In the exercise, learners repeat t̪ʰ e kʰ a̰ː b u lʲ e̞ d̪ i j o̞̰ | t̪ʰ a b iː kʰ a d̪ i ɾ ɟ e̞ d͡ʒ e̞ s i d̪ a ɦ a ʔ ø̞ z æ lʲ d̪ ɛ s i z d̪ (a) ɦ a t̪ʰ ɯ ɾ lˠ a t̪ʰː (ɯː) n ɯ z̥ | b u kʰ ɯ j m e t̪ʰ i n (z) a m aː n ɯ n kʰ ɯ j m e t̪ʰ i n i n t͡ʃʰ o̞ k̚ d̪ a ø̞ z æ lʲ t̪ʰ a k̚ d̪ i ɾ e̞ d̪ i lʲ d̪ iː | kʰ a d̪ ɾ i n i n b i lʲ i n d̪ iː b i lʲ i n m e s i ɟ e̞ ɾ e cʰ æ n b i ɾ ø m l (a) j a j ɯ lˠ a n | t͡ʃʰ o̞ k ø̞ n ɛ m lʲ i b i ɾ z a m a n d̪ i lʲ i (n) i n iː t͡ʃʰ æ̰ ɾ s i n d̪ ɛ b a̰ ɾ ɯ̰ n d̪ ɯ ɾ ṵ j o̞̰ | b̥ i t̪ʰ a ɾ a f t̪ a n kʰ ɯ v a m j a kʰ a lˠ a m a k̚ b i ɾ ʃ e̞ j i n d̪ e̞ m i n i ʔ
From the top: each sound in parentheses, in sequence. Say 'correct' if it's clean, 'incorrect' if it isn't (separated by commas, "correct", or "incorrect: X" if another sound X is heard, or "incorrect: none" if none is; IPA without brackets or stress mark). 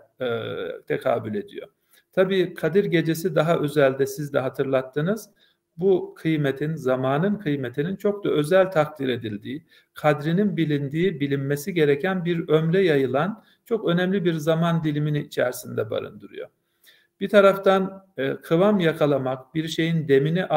incorrect: ɛ, incorrect: ɯ, correct, incorrect: ɛ, incorrect: m